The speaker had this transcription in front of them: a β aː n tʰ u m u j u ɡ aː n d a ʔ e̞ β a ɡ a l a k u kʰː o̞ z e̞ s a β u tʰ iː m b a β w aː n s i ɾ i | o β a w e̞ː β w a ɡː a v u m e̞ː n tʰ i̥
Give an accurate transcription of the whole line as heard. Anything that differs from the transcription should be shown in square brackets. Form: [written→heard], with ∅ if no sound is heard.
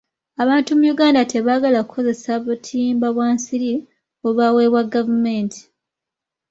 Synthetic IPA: a β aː n [tʰ→t] u m u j u ɡ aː n d a [ʔ→t] e̞ β a ɡ a l a k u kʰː o̞ z e̞ s a β u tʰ iː m b a β w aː n s i ɾ i | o β a w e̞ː β w a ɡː a v u m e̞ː n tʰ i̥